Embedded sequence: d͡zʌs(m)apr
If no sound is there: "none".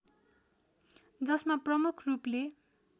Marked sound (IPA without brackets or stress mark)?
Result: m